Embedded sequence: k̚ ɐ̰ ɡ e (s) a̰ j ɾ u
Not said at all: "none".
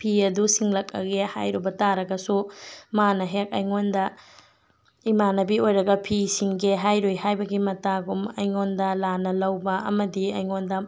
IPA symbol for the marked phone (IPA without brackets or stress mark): h